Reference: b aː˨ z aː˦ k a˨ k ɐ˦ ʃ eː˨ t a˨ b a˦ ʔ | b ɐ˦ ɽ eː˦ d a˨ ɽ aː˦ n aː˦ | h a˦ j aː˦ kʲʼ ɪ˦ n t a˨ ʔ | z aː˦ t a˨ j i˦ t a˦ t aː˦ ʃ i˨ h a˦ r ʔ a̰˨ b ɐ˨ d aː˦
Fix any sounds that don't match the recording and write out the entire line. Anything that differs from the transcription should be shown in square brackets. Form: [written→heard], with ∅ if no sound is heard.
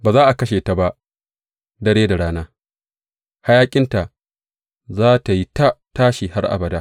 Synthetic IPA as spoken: b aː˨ z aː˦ [k→ʔ] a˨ k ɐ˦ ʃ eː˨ t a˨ b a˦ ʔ | [b→d] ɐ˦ ɽ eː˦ d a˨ ɽ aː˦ n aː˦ | h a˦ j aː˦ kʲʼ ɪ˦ n t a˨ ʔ | z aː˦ t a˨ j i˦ t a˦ t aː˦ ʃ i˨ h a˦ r ʔ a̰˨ b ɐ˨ d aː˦